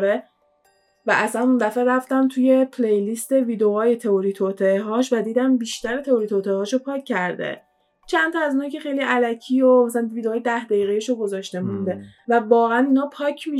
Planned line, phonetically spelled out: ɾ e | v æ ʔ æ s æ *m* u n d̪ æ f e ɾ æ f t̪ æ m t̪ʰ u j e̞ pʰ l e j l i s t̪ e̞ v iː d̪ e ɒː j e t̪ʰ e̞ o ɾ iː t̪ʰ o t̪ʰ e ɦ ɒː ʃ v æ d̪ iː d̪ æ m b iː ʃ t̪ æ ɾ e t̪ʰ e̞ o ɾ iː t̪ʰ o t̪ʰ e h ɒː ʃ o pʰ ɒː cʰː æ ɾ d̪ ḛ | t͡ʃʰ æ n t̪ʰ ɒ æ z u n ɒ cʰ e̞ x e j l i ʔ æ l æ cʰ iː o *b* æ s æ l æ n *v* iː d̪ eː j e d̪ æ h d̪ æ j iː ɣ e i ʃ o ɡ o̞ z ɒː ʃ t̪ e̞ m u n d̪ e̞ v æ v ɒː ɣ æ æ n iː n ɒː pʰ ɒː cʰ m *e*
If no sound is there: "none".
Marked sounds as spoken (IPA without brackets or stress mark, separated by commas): n, m, v, i